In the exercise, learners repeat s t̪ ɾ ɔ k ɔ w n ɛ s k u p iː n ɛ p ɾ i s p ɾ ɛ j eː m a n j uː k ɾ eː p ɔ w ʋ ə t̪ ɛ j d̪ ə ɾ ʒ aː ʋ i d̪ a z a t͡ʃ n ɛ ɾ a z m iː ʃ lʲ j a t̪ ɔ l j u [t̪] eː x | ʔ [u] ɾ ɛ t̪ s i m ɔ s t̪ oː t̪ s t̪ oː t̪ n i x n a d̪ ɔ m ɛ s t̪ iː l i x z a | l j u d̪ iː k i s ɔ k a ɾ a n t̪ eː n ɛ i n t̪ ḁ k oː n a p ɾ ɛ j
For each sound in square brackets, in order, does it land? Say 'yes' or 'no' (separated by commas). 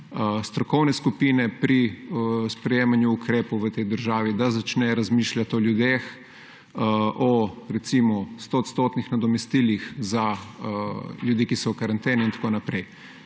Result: no, no